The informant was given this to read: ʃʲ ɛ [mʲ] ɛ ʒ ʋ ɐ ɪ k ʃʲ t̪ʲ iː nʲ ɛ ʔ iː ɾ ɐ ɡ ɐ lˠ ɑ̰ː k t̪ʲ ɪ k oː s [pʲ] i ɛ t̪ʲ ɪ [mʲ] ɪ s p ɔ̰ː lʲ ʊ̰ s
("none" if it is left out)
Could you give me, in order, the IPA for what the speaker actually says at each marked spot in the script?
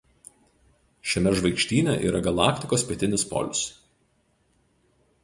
mʲ, pʲ, nʲ

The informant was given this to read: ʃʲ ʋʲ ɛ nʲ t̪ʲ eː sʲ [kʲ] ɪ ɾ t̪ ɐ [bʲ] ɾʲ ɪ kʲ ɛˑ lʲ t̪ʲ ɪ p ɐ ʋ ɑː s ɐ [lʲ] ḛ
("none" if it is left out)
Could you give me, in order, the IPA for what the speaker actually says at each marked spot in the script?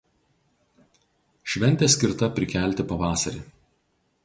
kʲ, pʲ, ɾʲ

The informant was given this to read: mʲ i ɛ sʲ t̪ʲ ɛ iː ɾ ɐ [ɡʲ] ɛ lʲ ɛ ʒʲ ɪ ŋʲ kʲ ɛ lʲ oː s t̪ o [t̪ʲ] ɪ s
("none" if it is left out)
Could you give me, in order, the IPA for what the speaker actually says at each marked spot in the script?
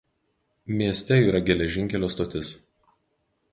ɡʲ, t̪ʲ

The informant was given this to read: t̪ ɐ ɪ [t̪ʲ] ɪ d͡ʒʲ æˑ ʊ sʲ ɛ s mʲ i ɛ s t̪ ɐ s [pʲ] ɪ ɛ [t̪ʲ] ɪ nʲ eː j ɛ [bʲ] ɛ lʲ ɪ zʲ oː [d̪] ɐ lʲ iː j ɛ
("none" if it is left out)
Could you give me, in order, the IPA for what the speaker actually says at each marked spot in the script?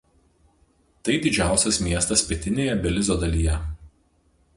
d̪ʲ, pʲ, t̪ʲ, bʲ, d̪

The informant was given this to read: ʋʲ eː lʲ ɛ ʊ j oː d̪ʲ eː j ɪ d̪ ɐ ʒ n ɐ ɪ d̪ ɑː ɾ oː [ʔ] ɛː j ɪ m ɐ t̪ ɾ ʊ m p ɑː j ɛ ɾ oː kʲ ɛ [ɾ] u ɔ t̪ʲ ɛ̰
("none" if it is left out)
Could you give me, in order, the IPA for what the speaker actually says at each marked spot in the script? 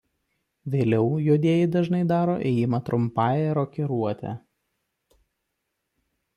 ʔ, ɾ

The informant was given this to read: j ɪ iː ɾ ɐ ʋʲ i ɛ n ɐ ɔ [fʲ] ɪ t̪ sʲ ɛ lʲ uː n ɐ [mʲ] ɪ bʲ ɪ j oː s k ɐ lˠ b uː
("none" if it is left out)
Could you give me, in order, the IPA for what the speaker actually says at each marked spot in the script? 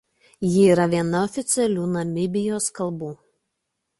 fʲ, mʲ

